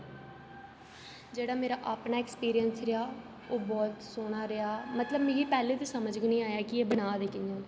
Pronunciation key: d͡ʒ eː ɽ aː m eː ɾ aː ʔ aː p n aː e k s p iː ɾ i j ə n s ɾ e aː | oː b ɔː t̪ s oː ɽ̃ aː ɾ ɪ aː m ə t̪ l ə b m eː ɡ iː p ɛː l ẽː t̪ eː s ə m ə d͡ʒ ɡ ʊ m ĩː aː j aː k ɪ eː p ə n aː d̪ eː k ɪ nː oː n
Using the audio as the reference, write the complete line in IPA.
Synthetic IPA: d͡ʒ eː ɽ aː m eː ɾ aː ʔ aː p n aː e k s p iː ɾ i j ə n s ɾ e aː | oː b ɔː t̪ s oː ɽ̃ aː ɾ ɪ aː m ə t̪ l ə b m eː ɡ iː p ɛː l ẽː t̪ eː s ə m ə d͡ʒ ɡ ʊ n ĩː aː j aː k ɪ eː b ə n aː d̪ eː k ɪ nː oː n